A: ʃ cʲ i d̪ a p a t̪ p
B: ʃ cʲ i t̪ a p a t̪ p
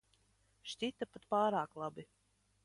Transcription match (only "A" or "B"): B